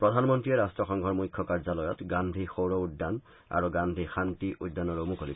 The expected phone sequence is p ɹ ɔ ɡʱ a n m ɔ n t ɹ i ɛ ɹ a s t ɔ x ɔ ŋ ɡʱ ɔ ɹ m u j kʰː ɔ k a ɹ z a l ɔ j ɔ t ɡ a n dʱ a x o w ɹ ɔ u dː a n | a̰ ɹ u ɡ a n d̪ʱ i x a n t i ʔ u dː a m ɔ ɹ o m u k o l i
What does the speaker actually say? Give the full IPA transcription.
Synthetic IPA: p ɹ ɔ dʱ a n m ɔ n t ɹ i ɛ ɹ a s t ɔ x ɔ ŋ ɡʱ ɔ ɹ m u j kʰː ɔ k a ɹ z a l ɔ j ɔ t ɡ a n dʱ i x o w ɹ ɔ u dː a n | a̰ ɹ u ɡ a n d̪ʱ i x a n t i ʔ u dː a n ɔ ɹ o m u k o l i